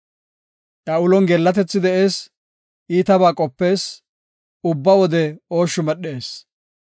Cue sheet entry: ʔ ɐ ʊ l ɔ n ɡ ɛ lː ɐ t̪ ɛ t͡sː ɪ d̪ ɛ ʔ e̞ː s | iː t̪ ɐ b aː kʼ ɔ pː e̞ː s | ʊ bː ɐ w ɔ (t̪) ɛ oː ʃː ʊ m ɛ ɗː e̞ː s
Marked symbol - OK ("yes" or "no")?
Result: no